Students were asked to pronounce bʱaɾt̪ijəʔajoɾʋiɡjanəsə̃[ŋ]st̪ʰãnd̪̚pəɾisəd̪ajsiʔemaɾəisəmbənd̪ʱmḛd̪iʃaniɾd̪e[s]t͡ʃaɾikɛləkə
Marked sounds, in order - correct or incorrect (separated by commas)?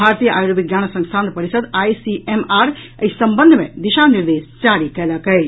correct, correct